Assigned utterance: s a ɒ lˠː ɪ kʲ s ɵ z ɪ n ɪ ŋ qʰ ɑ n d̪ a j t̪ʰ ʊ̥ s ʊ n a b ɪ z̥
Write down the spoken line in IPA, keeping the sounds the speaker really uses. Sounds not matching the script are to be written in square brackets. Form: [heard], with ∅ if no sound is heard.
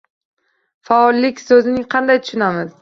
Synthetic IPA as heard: [f] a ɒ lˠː ɪ kʲ s ɵ z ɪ n ɪ ŋ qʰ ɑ n d̪ a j t̪ʰ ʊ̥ [ʃ] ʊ n a [m] ɪ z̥